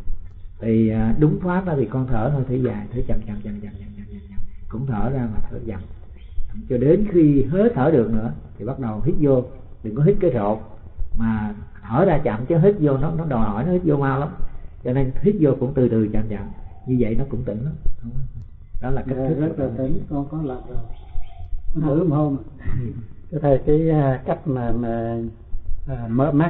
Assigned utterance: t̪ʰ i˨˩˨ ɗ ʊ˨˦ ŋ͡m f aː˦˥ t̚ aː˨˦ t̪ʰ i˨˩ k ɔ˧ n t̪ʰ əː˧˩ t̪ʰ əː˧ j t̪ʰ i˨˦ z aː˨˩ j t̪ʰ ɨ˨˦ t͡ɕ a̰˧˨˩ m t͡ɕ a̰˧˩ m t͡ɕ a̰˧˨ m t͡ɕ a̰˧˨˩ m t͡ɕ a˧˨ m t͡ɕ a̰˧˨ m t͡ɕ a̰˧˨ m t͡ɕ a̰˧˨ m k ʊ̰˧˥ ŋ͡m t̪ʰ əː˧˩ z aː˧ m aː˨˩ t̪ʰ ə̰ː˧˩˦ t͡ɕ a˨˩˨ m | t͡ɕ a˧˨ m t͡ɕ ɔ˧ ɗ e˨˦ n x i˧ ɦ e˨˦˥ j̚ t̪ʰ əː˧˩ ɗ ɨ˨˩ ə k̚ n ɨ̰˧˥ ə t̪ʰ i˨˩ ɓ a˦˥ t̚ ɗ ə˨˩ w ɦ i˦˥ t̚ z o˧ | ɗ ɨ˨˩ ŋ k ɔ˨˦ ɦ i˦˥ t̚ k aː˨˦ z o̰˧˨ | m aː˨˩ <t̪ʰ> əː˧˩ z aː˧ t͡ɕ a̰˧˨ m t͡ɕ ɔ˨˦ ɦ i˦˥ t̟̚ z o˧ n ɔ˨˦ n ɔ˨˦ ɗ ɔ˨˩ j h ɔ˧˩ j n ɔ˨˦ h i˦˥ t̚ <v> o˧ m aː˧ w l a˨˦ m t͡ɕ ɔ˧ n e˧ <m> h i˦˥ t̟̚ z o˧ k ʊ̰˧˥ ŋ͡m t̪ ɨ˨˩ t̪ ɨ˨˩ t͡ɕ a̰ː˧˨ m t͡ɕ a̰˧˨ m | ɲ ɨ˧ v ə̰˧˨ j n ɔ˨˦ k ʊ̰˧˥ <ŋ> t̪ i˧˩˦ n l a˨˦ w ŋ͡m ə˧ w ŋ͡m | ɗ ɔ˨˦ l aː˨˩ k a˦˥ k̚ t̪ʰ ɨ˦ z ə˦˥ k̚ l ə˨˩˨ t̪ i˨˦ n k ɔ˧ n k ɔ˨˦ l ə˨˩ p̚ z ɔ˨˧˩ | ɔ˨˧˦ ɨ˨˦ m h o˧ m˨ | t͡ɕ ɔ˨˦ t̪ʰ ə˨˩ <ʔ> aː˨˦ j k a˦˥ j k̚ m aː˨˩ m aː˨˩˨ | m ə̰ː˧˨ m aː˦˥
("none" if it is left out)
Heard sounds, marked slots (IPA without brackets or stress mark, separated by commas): t̪ʰ, z, n, ŋ͡m, k